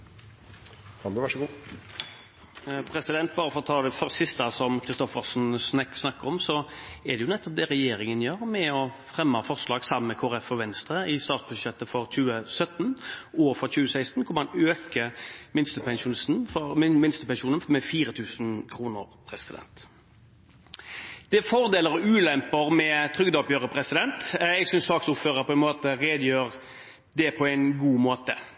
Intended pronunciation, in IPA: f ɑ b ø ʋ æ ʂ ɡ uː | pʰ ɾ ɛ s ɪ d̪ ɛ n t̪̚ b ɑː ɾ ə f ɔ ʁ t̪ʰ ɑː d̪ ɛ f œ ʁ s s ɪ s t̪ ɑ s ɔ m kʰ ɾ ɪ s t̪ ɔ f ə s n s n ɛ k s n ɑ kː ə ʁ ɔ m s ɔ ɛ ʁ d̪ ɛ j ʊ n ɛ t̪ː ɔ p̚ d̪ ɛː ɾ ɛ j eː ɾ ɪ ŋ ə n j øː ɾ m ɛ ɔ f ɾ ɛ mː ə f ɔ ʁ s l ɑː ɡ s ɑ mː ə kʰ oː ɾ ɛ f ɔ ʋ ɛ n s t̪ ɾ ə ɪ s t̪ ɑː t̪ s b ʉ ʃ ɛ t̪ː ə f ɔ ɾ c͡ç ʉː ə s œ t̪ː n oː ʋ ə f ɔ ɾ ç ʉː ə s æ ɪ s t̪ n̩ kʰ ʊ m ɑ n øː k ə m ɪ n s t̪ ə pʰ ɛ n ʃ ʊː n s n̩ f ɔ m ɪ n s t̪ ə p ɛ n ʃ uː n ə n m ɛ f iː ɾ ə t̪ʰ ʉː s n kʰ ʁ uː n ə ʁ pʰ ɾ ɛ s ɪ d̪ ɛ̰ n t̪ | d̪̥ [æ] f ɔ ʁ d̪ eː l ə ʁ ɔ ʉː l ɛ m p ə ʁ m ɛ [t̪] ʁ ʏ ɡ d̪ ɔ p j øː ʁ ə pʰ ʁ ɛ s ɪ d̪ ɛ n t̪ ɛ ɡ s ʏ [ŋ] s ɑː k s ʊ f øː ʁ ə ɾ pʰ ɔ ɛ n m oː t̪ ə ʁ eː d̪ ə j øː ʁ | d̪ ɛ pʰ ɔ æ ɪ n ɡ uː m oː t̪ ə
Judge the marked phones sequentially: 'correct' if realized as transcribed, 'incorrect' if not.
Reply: incorrect: ɛ, incorrect: t̪ʰ, incorrect: n

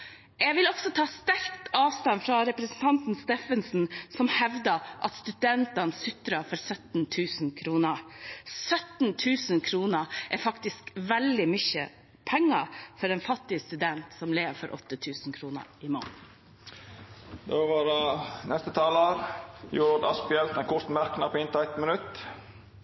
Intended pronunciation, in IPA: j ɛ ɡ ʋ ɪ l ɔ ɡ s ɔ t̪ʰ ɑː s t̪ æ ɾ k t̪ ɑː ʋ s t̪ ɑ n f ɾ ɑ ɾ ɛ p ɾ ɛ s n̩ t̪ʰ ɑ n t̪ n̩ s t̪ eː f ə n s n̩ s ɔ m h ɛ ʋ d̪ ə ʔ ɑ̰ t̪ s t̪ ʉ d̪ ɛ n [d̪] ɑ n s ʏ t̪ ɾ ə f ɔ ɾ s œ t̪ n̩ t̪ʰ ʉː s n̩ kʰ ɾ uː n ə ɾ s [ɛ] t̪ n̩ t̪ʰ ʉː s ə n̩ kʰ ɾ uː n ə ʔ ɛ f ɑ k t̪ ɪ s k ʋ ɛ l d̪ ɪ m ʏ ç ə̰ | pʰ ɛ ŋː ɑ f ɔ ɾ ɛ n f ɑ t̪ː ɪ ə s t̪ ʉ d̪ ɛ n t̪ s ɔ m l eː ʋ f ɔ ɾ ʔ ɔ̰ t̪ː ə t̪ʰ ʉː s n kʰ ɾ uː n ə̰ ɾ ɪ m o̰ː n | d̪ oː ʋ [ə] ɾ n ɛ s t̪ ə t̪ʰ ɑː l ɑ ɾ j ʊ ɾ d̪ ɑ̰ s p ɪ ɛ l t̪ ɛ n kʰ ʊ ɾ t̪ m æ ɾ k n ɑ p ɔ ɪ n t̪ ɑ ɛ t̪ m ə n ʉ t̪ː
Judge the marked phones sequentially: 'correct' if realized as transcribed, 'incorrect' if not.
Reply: incorrect: t̪, incorrect: œ, incorrect: ɑ

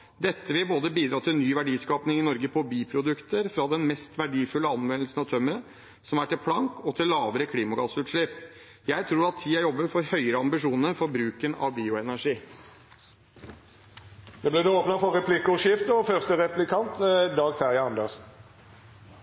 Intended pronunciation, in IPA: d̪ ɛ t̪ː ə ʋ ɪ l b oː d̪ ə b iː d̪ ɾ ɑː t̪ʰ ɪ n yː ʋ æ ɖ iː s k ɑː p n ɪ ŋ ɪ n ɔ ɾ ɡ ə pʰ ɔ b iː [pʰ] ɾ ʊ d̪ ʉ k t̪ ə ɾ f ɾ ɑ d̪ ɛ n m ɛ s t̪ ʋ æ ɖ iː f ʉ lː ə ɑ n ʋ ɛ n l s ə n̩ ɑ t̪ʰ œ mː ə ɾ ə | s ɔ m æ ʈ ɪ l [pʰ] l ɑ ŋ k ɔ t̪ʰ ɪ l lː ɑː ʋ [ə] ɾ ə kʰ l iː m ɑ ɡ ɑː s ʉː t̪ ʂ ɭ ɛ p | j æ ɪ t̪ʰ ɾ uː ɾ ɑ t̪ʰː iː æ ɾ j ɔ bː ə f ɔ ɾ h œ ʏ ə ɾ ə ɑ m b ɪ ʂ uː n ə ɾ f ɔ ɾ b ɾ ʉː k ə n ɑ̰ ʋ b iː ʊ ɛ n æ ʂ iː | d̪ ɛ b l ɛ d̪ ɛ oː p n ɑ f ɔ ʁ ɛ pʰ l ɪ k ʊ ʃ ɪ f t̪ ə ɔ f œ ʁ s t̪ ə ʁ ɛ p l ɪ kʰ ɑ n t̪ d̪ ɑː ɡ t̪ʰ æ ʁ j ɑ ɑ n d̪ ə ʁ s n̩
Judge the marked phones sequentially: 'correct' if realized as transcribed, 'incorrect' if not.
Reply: correct, correct, correct

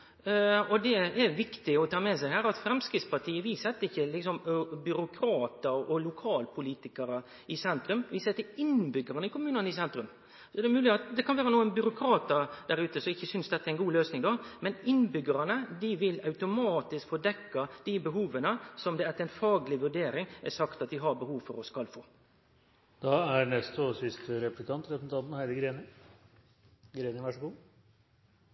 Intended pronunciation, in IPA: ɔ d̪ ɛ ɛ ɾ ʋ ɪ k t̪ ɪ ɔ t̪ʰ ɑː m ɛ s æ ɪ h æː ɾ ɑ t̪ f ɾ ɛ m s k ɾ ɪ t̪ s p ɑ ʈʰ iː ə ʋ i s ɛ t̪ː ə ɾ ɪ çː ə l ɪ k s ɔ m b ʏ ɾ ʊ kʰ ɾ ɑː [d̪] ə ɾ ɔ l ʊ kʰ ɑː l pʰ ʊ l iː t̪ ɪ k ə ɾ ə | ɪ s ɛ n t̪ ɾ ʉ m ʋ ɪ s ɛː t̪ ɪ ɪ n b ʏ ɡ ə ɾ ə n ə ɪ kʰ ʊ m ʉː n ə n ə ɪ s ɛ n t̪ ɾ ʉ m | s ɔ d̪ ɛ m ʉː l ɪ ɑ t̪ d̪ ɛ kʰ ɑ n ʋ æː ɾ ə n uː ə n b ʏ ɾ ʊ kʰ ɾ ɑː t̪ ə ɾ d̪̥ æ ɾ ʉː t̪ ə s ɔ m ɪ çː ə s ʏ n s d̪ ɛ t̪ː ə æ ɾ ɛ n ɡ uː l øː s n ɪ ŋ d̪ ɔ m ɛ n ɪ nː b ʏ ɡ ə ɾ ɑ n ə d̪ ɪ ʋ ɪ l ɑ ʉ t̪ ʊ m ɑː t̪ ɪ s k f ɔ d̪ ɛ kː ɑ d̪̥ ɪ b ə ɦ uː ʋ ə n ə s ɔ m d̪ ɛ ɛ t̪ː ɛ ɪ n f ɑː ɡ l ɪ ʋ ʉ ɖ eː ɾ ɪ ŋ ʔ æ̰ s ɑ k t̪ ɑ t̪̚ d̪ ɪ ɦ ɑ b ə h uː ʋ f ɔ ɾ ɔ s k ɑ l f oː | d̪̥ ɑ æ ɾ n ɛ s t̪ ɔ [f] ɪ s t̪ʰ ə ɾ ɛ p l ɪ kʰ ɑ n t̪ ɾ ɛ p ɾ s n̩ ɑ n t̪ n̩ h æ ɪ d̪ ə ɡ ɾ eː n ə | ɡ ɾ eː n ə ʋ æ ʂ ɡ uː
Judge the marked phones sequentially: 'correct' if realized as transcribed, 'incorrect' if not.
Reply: incorrect: t̪, incorrect: s

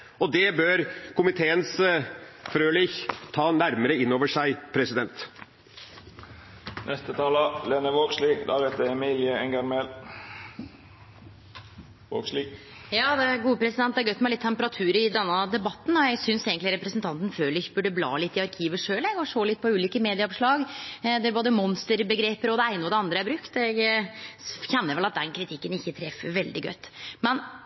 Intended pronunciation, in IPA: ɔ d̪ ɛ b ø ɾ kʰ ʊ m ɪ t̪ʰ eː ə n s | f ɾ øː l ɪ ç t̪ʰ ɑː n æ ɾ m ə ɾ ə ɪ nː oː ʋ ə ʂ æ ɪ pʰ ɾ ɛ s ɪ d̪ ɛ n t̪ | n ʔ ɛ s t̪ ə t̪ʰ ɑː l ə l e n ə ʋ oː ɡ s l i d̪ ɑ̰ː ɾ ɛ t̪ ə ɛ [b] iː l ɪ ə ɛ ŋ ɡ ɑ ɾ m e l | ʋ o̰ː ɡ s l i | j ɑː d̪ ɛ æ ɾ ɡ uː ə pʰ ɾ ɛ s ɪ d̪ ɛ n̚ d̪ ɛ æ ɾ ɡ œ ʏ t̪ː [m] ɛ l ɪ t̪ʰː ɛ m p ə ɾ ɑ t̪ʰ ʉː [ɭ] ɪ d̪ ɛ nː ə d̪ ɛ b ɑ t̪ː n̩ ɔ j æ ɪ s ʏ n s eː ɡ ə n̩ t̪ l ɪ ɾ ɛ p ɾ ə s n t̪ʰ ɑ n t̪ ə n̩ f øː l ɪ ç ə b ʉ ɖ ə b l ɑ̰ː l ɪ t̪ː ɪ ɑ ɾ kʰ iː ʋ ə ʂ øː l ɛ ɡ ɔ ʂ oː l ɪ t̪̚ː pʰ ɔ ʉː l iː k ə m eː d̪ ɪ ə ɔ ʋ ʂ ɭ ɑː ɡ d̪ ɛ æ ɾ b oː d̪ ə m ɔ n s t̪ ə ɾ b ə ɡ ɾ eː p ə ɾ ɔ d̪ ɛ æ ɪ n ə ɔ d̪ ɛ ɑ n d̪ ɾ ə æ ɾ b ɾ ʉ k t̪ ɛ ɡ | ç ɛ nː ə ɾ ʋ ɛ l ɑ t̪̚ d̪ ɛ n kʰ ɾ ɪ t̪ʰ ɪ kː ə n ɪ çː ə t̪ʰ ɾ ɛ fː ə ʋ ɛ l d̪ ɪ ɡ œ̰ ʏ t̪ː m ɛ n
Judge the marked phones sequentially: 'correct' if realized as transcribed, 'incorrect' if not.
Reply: incorrect: m, correct, incorrect: ɾ

